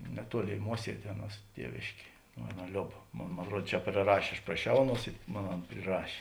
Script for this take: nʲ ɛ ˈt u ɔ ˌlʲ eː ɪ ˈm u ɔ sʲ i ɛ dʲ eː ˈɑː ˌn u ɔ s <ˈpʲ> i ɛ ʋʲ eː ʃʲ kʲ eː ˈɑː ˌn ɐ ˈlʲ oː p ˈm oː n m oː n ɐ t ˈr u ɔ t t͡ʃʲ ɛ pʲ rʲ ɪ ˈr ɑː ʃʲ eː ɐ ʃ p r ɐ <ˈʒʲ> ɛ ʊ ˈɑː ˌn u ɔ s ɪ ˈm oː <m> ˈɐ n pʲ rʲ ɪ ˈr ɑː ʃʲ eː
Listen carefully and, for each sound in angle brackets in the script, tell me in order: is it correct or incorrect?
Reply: incorrect: tʲ, incorrect: ʃʲ, incorrect: n

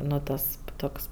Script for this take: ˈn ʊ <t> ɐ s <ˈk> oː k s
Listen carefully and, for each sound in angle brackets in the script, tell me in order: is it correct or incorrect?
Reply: correct, incorrect: t

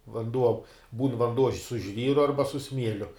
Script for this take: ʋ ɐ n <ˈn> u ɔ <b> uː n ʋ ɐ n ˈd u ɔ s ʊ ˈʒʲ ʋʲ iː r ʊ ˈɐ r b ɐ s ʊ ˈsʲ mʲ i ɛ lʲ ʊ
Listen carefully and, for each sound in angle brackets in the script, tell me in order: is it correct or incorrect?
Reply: incorrect: d, correct

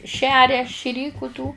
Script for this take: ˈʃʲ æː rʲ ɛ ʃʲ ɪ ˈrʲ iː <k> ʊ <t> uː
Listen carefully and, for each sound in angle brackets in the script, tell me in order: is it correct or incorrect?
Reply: correct, correct

